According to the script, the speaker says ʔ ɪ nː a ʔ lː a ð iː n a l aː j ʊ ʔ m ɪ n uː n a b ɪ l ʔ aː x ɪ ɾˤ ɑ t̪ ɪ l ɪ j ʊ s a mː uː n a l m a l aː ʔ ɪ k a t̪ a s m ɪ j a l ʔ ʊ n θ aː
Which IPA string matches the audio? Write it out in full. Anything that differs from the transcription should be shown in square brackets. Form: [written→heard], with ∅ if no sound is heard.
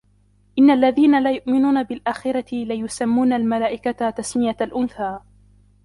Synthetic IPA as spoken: ʔ ɪ nː a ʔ lː a ð iː n a l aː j ʊ ʔ m ɪ n uː n a b ɪ l ʔ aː x ɪ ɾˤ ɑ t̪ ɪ l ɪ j ʊ s a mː uː n a l m a l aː ʔ ɪ k a t̪ a s m ɪ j a l ʔ ʊ n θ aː